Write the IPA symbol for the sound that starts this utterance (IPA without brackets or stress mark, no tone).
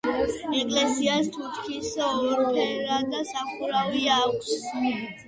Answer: ɛ